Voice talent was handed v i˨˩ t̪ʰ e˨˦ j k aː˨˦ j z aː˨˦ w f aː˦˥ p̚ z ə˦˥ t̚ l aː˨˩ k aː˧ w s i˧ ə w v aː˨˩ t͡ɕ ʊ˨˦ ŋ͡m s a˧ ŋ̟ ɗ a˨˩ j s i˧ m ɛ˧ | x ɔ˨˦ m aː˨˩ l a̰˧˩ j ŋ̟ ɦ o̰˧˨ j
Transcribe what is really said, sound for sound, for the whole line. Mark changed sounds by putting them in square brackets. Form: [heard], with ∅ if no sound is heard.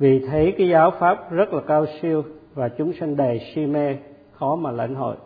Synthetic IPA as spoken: v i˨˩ t̪ʰ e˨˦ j k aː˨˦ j z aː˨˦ w f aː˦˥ p̚ z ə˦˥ t̚ l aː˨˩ k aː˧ w s i˧ ə w v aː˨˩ t͡ɕ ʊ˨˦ ŋ͡m s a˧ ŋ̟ ɗ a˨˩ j s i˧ m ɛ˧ | x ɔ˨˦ m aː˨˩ l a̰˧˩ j ŋ̟ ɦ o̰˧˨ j